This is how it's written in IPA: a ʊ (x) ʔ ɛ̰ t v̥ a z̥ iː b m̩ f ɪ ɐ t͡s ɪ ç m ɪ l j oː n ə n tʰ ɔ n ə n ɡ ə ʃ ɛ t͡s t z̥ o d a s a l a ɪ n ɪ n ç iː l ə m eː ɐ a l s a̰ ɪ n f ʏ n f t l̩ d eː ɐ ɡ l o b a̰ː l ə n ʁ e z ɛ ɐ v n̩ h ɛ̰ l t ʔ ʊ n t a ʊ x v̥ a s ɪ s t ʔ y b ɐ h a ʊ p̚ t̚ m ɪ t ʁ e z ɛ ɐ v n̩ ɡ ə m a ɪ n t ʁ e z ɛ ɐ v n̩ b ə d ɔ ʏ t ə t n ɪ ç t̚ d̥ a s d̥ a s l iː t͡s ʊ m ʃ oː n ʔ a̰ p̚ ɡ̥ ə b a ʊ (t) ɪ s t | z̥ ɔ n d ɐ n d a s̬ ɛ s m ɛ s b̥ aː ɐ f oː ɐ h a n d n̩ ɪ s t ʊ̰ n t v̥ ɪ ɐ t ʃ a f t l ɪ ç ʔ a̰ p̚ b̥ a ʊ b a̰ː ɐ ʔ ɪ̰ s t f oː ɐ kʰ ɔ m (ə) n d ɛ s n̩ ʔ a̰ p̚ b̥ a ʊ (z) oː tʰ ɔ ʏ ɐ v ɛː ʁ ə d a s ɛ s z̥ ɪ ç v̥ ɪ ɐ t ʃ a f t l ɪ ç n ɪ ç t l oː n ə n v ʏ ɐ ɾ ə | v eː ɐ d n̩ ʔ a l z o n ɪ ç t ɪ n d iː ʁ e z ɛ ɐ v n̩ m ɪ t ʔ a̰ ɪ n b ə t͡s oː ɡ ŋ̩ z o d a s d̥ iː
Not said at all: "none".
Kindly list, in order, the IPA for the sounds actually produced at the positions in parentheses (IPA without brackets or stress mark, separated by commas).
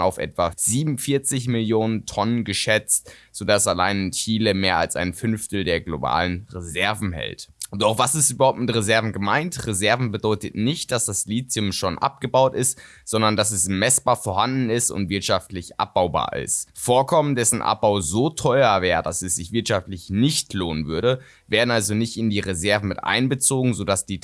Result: f, t, ə, z